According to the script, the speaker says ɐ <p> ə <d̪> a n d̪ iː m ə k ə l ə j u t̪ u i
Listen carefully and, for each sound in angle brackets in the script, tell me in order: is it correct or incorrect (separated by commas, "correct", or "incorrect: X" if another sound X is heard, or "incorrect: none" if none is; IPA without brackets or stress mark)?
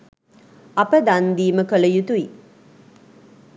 correct, correct